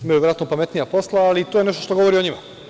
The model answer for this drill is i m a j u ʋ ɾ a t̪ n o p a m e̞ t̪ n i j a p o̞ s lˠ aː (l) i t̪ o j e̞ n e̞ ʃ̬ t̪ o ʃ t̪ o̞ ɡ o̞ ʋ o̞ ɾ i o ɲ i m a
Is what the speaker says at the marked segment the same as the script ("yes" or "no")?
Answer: yes